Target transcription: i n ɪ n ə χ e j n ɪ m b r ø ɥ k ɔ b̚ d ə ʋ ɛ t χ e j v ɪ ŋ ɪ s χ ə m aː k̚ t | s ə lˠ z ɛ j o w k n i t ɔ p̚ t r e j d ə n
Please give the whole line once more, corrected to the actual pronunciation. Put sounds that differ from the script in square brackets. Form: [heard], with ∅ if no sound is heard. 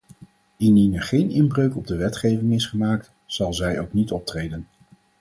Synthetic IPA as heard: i n [i] n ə χ e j n ɪ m b r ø ɥ k ɔ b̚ d ə ʋ ɛ t χ e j v ɪ ŋ ɪ s χ ə m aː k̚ t | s [ɑ] lˠ z ɛ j o w k n i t ɔ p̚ t r e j d ə n